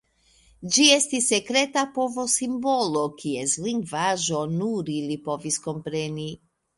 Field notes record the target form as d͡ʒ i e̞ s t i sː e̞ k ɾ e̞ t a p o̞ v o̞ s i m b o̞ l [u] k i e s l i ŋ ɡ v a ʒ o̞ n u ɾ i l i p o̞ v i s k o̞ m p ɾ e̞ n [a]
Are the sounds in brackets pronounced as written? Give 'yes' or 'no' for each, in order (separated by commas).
no, no